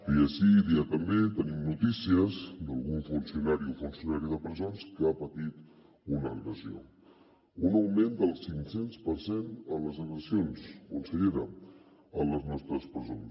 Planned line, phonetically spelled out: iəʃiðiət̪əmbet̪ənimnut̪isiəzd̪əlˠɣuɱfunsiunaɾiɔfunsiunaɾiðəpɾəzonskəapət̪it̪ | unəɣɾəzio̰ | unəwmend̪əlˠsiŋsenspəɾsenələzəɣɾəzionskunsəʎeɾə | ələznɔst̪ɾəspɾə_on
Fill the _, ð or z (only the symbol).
z